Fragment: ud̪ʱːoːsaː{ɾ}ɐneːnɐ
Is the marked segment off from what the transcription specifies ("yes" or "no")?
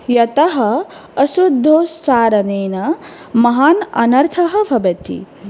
no